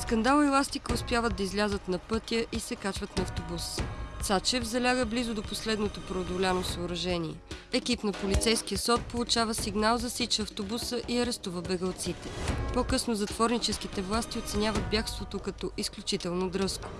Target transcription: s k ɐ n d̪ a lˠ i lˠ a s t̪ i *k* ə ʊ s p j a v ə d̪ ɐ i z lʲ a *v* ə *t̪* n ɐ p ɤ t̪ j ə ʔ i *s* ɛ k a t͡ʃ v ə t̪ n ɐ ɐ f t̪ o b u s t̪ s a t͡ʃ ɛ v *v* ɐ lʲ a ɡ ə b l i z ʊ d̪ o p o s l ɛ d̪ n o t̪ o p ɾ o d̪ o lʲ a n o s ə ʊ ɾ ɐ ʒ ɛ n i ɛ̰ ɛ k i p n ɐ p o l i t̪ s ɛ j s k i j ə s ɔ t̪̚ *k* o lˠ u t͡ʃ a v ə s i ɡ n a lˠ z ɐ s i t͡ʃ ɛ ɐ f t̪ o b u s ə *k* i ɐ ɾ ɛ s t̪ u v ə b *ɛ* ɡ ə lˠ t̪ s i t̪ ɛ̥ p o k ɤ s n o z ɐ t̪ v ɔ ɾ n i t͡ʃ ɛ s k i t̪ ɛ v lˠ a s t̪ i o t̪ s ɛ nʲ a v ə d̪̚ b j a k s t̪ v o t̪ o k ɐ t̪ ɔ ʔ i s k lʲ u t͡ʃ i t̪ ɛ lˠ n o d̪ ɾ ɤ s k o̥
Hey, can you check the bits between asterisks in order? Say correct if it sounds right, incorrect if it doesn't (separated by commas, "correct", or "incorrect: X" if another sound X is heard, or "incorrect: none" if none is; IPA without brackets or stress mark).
correct, incorrect: z, correct, correct, incorrect: z, incorrect: p, incorrect: ʔ, correct